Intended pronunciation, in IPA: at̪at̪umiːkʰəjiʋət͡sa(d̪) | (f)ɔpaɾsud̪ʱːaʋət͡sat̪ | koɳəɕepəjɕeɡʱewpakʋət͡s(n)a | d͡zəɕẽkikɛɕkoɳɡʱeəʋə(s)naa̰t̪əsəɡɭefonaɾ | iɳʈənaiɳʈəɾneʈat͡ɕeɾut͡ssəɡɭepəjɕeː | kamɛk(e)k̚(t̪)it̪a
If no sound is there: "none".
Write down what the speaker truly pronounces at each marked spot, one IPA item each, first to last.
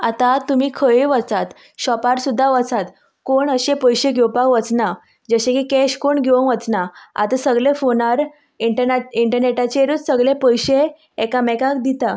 t̪, ɕ, n, t͡s, a, d̪

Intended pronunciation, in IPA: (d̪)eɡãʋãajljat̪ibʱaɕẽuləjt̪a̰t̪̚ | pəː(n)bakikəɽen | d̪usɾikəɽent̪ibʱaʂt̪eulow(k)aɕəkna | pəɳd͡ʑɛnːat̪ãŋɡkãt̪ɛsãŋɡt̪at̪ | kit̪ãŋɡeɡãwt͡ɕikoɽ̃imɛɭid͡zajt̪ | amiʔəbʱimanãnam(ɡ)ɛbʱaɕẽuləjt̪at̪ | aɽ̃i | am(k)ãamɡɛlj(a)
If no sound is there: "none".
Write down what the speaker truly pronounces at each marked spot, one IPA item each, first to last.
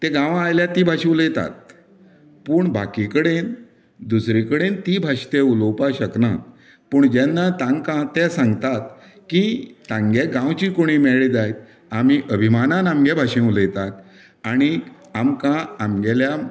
t̪, ɳ, p, ɡ, k, a

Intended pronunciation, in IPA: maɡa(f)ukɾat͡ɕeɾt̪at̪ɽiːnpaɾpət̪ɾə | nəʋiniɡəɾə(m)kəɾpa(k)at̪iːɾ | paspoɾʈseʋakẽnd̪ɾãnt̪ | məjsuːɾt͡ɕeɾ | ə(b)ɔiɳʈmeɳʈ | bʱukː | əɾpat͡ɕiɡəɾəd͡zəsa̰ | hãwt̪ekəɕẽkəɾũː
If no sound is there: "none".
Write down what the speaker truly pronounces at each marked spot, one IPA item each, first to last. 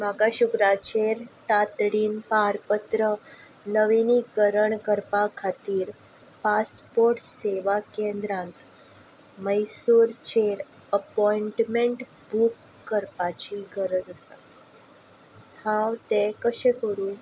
ɕ, ɳ, kʰ, p

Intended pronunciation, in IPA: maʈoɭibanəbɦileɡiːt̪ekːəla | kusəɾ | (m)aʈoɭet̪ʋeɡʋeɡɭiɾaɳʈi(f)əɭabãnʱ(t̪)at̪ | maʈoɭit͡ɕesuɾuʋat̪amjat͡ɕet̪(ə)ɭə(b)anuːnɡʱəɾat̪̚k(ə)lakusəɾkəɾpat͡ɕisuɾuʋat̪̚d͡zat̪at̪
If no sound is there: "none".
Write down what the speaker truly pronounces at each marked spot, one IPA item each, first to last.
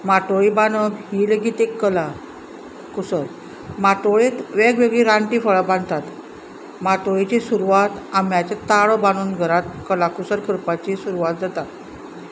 m, f, t̪, a, b, ə

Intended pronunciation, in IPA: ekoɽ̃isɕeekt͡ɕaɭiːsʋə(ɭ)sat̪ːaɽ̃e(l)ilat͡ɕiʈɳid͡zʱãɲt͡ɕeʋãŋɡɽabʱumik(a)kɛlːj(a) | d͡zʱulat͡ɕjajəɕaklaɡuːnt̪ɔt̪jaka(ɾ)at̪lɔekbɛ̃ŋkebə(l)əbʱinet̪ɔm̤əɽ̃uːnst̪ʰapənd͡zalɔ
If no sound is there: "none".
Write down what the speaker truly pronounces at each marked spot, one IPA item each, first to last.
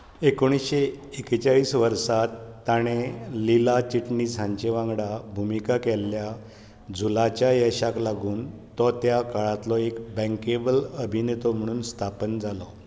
ɾ, l, a, a, ɭ, l

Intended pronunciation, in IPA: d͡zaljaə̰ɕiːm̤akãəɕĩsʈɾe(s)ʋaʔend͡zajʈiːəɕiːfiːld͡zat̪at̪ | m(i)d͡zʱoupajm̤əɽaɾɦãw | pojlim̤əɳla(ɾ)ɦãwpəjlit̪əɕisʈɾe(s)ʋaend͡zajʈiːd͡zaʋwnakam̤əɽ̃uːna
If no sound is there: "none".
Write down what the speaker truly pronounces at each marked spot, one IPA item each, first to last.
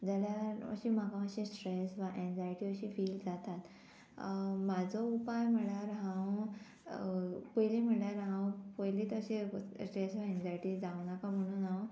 s, a, ɾ, s

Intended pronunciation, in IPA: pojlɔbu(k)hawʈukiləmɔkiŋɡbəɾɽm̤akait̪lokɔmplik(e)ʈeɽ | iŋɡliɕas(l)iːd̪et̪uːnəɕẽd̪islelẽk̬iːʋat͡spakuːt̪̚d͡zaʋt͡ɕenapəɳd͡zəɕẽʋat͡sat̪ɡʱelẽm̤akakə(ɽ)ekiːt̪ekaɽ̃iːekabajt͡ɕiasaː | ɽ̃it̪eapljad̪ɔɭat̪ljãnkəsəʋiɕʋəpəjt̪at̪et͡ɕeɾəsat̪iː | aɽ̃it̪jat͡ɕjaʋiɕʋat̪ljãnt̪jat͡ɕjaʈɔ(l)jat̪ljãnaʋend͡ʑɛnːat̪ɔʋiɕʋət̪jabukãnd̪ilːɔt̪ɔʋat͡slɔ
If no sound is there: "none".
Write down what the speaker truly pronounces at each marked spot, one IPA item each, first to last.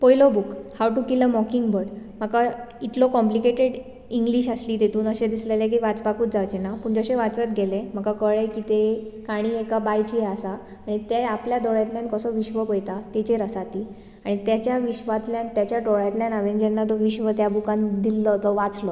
k, e, l, ɭ, ɭ

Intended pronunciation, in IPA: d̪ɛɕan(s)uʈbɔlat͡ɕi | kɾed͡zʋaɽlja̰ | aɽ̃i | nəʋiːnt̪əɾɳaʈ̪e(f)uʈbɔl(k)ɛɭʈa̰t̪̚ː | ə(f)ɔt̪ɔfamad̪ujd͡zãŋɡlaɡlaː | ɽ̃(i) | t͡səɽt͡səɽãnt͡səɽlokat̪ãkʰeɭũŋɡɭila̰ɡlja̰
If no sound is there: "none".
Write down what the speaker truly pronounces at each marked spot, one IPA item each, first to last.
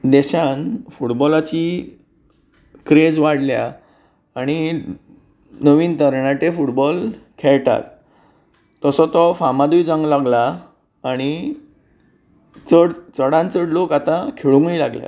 f, f, kʰ, s, i

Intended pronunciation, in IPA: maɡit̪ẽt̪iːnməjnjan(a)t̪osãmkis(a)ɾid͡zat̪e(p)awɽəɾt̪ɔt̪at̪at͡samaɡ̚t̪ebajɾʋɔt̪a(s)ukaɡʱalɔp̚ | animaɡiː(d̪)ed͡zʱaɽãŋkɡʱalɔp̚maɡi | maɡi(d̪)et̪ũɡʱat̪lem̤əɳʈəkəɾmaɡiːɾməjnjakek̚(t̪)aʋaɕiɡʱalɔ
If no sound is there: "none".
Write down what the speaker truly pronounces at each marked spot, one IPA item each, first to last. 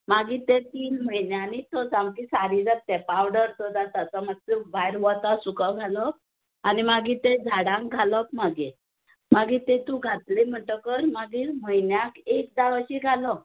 i, a, p, s, t̪, t̪, d̪

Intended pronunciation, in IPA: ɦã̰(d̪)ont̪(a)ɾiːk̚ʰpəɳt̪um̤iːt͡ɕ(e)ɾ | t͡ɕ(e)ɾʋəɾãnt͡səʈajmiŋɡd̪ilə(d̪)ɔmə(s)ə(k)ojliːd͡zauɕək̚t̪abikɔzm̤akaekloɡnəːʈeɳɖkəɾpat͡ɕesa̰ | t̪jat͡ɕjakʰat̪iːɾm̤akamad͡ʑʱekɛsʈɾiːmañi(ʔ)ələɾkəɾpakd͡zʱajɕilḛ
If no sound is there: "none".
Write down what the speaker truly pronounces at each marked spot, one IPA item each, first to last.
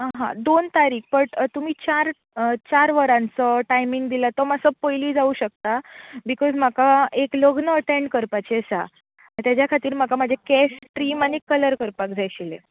d̪, a, a, a, t̪, s, p, k

